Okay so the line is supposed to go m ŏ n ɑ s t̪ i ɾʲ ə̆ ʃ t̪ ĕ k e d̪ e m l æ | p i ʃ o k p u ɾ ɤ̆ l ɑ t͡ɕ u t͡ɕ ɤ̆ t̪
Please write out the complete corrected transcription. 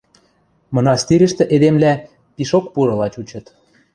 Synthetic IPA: m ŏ n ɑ s t̪ i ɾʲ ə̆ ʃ t̪ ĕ ʔ e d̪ e m l æ | p i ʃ o k p u ɾ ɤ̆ l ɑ t͡ɕ u t͡ɕ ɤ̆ t̪